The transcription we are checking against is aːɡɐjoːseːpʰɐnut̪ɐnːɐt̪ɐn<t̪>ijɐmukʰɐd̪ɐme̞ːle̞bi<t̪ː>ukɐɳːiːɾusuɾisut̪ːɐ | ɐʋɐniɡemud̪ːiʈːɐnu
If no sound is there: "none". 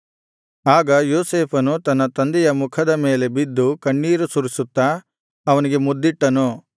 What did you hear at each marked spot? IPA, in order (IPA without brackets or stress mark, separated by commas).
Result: d̪, d̪ː